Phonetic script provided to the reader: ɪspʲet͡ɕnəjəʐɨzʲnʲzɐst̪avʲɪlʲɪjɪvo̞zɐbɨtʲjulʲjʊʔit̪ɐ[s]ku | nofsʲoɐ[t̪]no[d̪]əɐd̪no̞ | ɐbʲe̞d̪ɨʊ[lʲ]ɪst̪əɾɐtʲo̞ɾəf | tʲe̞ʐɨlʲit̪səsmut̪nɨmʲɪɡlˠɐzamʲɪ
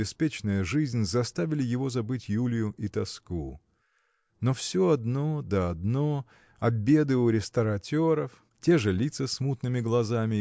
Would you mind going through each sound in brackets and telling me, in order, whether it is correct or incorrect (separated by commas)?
correct, incorrect, correct, incorrect